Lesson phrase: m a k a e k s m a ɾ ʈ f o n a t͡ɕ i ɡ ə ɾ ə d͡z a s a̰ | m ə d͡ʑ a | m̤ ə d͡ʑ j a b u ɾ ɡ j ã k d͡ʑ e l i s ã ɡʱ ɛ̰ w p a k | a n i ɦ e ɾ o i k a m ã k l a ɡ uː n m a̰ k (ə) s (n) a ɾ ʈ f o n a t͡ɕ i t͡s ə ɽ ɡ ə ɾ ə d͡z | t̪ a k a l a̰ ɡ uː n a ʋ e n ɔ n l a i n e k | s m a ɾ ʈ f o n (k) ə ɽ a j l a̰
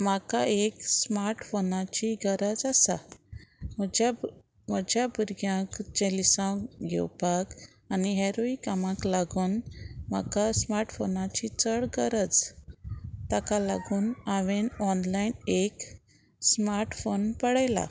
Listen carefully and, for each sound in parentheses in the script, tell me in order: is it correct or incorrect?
incorrect: a, incorrect: m, incorrect: p

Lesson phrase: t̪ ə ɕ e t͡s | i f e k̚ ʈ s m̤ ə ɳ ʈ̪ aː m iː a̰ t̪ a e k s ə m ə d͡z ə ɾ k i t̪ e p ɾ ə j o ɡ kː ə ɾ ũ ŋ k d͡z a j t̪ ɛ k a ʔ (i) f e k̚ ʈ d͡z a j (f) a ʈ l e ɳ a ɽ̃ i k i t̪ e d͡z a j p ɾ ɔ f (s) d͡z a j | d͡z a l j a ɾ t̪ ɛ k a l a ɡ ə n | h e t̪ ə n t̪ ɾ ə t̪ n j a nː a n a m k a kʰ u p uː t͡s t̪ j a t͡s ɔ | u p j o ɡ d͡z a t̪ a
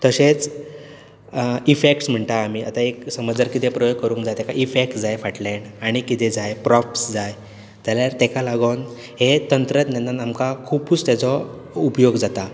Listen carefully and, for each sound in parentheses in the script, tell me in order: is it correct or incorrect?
correct, correct, correct

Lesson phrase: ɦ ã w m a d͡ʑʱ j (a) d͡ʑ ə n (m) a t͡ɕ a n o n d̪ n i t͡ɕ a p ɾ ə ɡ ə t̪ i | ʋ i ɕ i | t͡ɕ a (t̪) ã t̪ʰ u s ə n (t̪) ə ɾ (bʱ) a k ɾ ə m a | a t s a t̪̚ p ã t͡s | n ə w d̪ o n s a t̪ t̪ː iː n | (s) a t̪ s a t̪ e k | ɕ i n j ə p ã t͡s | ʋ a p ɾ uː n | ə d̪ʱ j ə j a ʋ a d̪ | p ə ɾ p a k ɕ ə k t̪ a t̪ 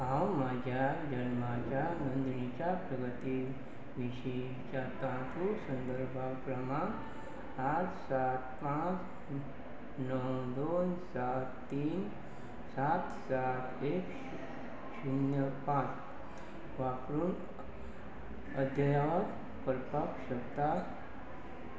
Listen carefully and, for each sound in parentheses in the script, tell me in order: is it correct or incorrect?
correct, correct, correct, incorrect: d̪, correct, correct

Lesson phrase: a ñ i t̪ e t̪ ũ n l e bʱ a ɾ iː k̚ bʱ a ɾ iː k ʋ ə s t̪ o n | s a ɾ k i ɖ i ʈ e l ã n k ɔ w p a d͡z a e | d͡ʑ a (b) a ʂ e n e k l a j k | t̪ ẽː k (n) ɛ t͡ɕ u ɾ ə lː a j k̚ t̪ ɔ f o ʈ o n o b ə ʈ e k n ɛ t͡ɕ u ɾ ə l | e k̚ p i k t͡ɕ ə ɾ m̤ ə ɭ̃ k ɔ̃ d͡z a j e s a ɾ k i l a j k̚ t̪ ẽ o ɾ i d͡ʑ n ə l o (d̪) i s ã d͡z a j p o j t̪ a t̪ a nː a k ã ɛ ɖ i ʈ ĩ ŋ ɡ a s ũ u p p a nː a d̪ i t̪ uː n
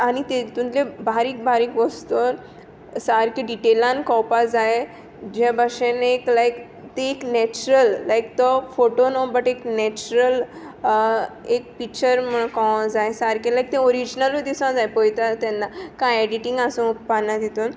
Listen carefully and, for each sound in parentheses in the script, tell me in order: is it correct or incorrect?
correct, correct, correct

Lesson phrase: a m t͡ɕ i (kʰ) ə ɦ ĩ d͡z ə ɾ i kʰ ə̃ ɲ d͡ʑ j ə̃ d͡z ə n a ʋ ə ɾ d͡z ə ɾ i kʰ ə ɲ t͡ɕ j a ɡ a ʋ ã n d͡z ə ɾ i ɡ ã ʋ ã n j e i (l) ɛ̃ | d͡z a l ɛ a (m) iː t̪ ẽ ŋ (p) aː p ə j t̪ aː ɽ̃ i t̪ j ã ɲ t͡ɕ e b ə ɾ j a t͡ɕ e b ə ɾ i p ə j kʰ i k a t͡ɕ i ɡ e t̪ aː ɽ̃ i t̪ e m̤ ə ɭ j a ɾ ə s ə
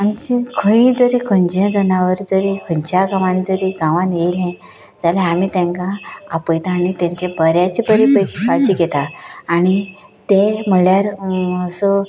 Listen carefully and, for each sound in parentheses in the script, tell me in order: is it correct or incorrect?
correct, correct, correct, incorrect: k

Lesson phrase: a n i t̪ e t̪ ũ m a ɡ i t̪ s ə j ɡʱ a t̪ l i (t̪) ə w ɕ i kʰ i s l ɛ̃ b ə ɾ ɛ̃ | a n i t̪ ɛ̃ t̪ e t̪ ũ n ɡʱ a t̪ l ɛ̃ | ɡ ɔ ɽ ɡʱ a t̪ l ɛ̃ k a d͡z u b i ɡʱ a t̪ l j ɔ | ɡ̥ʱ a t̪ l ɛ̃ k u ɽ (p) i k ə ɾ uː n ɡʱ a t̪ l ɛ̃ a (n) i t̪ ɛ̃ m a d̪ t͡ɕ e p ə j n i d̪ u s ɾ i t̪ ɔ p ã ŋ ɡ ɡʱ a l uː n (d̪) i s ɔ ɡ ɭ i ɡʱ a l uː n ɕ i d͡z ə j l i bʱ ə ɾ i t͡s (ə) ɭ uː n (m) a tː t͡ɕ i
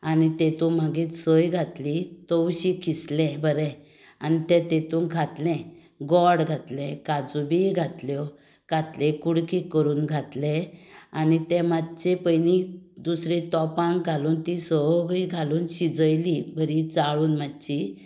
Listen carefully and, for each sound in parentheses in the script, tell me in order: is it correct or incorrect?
correct, incorrect: k, correct, incorrect: t̪, incorrect: a, correct

